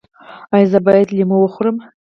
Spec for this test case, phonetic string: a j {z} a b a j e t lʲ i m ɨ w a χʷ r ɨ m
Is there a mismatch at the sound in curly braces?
no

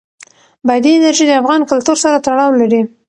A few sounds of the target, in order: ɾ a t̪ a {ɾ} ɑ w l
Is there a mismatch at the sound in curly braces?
yes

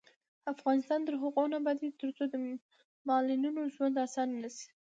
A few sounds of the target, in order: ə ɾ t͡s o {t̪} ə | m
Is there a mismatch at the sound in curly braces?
yes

